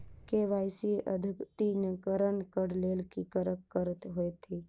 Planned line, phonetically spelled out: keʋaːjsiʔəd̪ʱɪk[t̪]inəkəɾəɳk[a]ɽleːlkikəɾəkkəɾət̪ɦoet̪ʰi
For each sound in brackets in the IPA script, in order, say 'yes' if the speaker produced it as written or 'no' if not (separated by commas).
yes, no